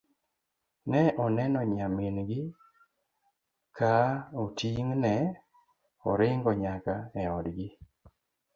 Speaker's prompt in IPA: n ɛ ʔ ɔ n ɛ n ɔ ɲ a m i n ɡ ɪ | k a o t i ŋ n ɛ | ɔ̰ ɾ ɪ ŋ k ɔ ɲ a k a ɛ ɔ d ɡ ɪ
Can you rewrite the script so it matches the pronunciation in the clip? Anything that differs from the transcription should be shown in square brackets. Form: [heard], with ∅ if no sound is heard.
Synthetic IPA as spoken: n ɛ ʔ ɔ n ɛ n ɔ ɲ a m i n ɡ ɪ | k a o t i ŋ n ɛ | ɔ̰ ɾ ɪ ŋ [ɡ] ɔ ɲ a k a ɛ ɔ d ɡ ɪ